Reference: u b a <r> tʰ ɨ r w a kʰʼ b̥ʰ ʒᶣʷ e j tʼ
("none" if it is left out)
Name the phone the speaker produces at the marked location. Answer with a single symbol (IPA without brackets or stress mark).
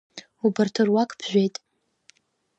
r